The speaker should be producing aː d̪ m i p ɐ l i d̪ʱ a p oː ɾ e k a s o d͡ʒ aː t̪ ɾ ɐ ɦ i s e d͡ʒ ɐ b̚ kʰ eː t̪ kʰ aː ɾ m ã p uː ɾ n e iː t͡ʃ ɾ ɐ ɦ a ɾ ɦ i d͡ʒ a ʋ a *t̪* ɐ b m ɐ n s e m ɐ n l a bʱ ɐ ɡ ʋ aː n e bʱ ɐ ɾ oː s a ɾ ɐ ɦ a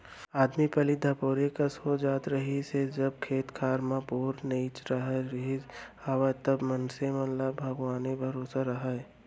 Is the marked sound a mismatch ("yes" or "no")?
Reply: no